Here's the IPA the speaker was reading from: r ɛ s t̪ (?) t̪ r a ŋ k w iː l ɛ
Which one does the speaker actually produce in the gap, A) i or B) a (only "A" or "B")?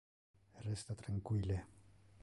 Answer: B